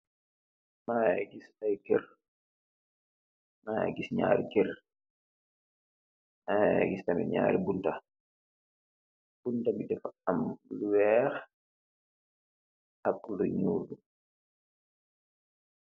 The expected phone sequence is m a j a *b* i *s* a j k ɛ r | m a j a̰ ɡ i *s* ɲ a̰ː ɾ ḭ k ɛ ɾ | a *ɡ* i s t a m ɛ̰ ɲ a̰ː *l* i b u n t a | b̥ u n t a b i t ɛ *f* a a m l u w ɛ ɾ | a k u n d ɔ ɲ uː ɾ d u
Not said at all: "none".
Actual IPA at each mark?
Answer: ɡ, s, s, ɡ, ɾ, f

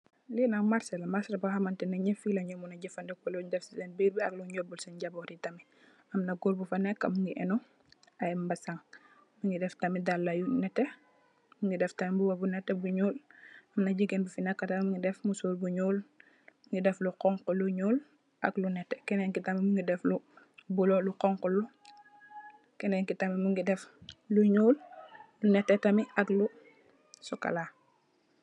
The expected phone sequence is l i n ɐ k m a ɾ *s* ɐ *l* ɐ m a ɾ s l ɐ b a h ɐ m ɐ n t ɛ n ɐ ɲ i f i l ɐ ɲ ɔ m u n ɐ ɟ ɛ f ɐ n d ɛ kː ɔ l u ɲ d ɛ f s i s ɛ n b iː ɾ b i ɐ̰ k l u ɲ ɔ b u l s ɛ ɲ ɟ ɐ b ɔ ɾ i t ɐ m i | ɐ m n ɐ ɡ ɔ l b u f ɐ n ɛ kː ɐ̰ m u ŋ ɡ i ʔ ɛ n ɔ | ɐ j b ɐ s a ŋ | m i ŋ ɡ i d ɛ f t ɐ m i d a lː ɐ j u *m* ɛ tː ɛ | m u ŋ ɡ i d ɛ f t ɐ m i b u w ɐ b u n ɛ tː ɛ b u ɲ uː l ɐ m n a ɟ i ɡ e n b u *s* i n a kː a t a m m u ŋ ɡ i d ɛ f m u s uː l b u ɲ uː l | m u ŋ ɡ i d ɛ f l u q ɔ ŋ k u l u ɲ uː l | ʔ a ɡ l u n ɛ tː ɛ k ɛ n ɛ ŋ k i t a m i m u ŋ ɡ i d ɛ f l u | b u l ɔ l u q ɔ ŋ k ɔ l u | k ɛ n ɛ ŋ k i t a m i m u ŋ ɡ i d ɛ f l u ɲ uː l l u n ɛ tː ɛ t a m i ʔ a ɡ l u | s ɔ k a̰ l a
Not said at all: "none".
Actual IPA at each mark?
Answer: s, l, n, f

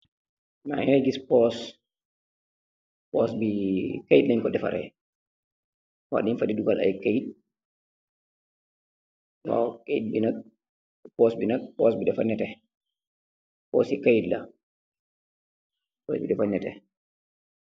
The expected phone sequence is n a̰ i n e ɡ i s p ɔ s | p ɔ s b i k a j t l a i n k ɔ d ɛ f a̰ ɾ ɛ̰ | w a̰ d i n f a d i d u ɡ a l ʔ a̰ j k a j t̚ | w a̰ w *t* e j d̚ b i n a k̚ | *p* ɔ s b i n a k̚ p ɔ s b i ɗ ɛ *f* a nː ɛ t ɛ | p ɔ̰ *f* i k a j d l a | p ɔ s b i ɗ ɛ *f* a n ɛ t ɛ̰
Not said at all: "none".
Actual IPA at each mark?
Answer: k, p, f, s, f

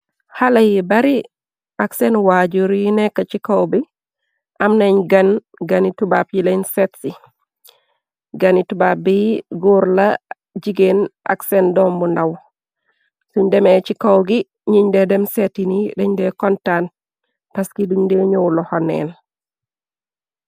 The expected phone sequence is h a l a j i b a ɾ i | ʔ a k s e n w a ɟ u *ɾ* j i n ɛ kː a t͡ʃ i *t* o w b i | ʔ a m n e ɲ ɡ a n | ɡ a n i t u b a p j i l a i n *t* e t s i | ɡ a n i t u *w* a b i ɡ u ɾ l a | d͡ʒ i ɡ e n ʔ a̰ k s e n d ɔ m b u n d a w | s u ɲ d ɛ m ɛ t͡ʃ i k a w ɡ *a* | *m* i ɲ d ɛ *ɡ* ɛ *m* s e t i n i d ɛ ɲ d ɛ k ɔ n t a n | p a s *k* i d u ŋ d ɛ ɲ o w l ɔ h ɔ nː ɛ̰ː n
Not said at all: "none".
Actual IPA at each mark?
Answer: ɾ, k, s, b, i, ɲ, d, m, k

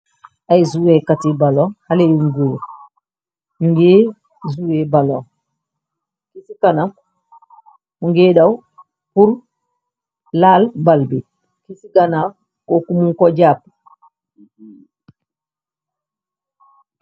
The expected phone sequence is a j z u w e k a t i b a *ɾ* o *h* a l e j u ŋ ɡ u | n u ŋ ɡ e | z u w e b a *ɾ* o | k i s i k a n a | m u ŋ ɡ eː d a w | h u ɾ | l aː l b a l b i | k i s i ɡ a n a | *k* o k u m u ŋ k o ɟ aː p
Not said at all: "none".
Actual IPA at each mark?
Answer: l, h, l, k

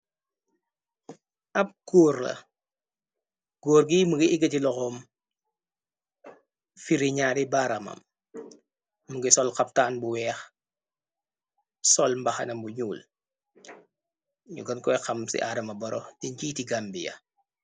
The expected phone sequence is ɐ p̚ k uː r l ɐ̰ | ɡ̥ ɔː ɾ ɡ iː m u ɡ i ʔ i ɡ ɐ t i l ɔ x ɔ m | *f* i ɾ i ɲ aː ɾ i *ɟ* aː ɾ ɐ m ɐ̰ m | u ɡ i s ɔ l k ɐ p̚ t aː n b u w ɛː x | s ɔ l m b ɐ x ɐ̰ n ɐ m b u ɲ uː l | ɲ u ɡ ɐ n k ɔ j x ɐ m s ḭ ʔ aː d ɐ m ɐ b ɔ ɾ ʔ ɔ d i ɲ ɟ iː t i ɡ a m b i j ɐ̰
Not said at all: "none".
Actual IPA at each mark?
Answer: f, b

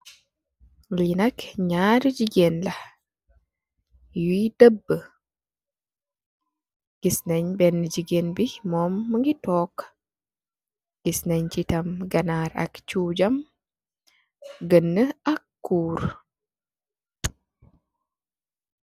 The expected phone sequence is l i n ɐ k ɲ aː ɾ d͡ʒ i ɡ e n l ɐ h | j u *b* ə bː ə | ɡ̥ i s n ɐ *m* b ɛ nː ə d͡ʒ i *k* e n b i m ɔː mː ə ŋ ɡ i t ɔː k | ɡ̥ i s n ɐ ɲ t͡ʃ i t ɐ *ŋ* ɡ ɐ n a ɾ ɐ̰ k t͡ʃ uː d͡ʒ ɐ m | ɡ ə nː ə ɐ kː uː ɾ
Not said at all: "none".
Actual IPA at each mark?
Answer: d, ɲ, ɡ, m

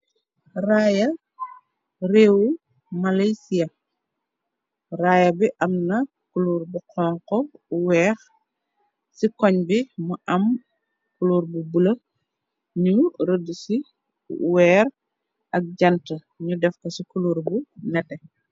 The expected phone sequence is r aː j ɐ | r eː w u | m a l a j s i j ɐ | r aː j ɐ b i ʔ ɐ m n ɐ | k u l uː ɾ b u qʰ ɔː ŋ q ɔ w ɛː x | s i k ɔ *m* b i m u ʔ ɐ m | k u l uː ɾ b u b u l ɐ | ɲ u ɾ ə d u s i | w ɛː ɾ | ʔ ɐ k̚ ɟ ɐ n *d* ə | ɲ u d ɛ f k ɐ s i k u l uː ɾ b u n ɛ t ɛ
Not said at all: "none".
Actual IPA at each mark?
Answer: ɲ, t

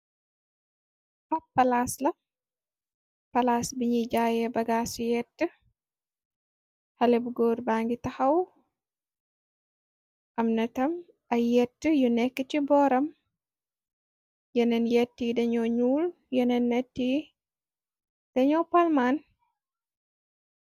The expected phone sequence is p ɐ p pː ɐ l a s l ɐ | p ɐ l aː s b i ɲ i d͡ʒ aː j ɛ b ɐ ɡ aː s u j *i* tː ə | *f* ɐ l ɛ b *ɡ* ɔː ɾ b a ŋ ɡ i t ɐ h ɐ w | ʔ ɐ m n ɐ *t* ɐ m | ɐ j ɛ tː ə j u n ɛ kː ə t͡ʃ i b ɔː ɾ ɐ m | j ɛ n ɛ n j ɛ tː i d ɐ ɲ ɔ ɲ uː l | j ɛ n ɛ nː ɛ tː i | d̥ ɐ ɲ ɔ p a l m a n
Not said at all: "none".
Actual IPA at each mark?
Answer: ɛ, h, ɡ, t

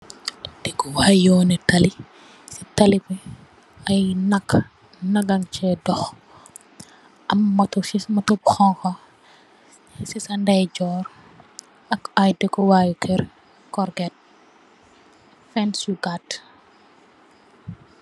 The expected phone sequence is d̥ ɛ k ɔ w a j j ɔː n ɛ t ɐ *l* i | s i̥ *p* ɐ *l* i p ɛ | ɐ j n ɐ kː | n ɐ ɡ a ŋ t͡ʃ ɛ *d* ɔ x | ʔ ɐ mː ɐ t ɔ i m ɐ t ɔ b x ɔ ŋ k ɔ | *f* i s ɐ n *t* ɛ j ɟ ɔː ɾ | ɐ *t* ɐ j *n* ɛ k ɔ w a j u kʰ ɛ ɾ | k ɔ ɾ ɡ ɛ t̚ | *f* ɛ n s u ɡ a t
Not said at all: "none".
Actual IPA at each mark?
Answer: l, t, l, d, s, d, k, d, f

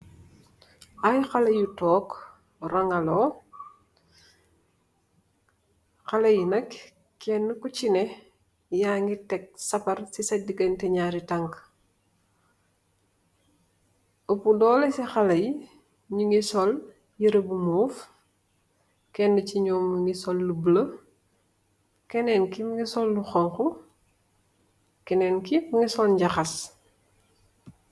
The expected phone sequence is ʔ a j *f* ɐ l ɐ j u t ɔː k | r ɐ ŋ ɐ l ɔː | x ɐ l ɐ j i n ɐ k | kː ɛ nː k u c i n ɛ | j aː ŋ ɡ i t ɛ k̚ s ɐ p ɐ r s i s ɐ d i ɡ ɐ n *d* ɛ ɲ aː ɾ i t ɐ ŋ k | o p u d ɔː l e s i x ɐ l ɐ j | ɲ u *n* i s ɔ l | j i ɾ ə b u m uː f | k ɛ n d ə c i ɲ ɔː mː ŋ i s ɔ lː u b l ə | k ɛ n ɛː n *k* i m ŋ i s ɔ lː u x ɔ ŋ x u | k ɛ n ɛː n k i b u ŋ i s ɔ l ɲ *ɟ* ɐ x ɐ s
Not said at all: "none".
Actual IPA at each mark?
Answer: x, t, ŋ, k, ɟ

